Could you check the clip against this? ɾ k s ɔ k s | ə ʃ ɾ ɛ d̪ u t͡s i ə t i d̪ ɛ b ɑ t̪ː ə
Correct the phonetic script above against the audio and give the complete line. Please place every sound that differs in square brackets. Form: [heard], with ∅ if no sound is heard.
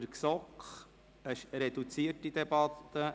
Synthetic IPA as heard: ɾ k s ɔ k [χ] | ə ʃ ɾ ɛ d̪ u t͡s i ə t i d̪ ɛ b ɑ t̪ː ə